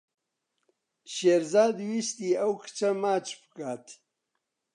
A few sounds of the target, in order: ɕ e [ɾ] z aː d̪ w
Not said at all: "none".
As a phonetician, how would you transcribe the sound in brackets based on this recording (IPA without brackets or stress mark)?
ɾ